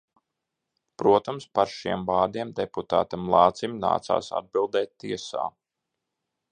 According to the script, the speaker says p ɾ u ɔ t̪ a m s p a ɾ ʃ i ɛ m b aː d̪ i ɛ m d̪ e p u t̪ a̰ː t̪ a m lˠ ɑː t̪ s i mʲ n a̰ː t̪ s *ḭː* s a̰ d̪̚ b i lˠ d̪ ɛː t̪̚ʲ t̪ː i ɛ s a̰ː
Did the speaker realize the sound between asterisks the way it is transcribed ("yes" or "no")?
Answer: no